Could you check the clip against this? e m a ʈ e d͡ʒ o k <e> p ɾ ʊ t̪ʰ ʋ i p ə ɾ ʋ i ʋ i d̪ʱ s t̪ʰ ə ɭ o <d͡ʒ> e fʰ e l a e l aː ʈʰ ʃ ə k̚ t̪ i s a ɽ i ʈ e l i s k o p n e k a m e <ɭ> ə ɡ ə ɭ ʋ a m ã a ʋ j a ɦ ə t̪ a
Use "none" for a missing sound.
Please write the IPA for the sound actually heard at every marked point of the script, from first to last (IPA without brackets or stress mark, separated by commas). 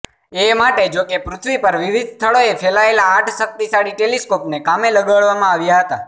e, none, l